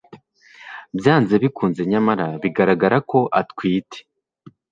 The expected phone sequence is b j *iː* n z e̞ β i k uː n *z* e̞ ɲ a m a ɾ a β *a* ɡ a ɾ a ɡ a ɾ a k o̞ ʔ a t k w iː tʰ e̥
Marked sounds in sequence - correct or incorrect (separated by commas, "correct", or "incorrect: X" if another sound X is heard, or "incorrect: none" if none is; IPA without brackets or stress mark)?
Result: incorrect: aː, correct, incorrect: i